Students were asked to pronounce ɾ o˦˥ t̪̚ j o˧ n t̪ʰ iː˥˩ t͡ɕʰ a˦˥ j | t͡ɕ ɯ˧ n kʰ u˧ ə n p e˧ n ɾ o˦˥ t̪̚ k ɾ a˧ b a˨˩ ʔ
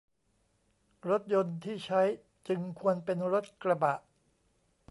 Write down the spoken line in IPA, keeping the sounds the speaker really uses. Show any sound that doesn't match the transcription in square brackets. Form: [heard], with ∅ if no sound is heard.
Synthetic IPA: ɾ o˦˥ t̪̚ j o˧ n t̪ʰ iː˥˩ t͡ɕʰ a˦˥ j | t͡ɕ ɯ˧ [ŋ] kʰ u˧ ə n p e˧ n ɾ o˦˥ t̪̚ k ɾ a˧ b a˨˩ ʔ